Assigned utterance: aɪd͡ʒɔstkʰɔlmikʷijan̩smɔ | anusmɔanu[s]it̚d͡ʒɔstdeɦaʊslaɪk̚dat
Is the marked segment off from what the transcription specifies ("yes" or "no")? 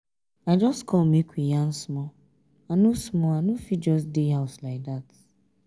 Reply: yes